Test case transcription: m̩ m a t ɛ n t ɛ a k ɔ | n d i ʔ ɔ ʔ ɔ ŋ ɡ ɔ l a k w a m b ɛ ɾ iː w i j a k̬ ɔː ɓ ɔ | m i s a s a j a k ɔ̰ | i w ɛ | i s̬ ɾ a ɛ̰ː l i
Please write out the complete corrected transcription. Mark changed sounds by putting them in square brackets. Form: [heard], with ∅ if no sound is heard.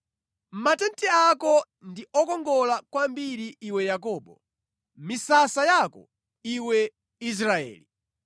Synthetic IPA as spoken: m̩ m a t ɛ n t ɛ a k ɔ | n d i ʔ ɔ [k] ɔ ŋ ɡ ɔ l a k w a m b [i] ɾ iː w [ɛ] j a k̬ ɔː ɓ ɔ | m i s a s a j a k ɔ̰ | i w ɛ | i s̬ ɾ a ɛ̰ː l i